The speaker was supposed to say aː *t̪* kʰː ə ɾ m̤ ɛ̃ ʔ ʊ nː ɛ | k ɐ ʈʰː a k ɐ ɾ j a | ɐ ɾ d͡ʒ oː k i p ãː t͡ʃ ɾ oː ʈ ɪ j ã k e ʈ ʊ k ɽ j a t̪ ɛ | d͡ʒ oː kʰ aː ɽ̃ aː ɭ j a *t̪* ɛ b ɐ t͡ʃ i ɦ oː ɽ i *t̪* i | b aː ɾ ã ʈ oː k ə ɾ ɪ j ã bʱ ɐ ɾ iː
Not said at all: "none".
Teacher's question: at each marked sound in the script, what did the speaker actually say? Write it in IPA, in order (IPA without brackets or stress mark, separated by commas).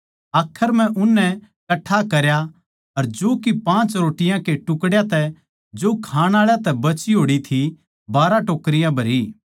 none, t̪, t̪ʰ